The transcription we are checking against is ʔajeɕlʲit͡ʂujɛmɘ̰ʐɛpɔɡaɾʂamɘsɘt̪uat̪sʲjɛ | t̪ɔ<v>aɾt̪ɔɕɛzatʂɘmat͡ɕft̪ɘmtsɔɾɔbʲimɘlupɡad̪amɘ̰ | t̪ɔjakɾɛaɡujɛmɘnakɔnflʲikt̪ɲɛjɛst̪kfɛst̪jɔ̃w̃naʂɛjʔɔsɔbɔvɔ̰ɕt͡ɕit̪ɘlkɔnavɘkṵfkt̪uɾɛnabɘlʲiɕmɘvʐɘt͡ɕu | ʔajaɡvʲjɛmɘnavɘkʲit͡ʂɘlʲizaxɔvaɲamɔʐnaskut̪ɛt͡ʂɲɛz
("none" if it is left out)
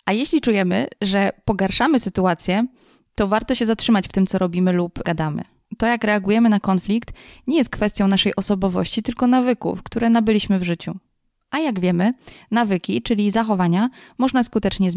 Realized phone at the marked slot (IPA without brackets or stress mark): v